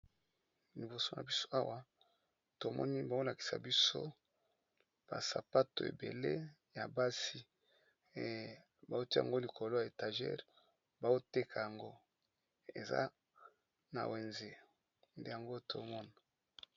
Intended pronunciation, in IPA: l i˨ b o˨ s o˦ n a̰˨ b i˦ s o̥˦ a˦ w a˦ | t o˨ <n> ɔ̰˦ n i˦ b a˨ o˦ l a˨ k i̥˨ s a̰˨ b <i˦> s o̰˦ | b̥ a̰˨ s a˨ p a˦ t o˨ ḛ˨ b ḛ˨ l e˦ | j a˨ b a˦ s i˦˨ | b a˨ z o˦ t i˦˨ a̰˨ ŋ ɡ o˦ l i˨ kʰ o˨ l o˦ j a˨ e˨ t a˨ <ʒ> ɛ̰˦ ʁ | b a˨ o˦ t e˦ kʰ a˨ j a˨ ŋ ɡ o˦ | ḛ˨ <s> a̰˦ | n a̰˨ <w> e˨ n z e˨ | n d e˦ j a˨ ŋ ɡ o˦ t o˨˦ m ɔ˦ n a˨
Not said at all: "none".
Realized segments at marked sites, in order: m, i˦, ʒ, z, w

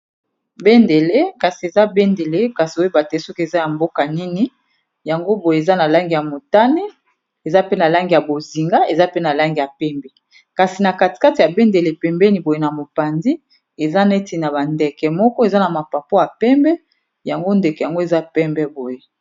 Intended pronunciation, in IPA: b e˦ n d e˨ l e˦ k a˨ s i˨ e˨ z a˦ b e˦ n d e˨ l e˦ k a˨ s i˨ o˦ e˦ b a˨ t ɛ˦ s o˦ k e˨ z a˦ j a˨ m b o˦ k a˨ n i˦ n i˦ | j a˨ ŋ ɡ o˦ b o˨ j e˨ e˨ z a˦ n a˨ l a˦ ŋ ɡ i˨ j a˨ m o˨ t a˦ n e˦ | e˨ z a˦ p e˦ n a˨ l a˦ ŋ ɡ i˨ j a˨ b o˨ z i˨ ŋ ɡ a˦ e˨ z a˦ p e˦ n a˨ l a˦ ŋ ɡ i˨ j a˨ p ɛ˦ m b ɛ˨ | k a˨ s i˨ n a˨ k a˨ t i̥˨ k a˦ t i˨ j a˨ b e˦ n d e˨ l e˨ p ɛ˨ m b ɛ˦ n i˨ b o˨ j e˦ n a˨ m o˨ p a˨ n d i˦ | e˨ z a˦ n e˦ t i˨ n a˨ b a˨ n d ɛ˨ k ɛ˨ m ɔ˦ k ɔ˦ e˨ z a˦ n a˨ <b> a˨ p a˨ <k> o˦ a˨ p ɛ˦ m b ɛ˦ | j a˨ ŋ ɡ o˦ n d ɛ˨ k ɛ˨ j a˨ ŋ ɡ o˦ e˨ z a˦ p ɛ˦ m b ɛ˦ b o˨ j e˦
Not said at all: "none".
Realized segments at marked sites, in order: m, p

